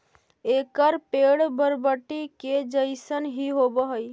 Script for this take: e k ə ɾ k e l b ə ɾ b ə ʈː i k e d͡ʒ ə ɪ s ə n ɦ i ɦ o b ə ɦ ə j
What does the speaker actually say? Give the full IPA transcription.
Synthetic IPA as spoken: e k ə ɾ p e ɽ b ə ɾ b ə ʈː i k e d͡ʒ ə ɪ s ə n ɦ i ɦ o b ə ɦ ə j